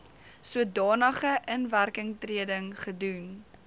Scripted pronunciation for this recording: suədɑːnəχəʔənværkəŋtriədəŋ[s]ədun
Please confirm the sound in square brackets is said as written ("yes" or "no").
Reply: no